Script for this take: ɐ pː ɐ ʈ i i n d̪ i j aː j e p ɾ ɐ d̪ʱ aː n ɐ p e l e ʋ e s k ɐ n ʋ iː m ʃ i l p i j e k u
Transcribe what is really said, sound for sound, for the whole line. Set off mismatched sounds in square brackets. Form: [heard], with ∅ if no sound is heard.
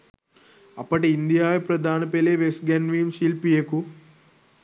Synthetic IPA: ɐ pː ɐ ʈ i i n d̪ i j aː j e p ɾ ɐ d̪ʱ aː n ɐ p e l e ʋ e s [ɡ] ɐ n ʋ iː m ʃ i l p i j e k u